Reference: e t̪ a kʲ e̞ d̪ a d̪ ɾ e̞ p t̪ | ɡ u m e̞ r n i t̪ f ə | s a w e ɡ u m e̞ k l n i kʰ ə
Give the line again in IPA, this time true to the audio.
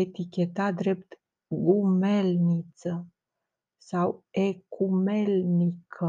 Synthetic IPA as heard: e t̪ i kʲ e̞ t̪ a d̪ ɾ e̞ p t̪ | ɡ u m e̞ l n i t̪ s ə | s a w e k u m e̞ l n i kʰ ə